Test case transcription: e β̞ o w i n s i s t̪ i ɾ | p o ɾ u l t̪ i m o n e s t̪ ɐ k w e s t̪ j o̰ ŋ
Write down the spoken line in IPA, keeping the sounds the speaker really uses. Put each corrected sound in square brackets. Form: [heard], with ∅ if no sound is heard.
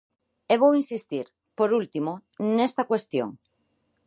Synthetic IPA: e β̞ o w i n s i s t̪ i ɾ | p o ɾ u l t̪ i m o n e s t̪ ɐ k w e s t̪ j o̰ ŋ